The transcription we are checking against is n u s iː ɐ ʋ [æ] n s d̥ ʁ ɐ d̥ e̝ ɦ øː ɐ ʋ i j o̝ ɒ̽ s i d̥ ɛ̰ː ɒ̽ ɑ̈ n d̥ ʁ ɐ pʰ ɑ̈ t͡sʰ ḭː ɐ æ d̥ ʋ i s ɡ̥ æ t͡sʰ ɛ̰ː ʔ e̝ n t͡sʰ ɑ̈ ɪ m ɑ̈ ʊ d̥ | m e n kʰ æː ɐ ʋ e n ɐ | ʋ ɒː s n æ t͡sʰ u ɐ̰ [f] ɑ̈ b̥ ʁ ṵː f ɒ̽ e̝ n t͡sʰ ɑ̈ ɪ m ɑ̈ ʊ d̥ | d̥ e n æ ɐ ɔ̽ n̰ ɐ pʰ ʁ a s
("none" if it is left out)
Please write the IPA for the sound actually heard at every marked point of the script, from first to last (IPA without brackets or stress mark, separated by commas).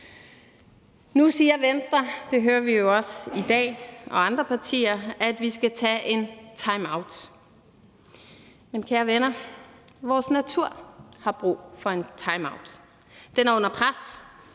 e, h